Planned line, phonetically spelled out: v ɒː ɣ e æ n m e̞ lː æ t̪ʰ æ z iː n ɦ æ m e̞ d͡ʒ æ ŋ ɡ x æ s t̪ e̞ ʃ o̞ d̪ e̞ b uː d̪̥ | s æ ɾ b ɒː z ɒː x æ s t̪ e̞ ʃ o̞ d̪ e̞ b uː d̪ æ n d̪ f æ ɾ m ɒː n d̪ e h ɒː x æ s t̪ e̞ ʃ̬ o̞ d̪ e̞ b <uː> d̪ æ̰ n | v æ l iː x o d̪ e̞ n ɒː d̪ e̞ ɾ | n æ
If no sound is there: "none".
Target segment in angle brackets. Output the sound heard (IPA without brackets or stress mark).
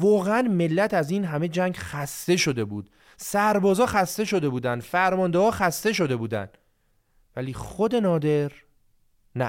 uː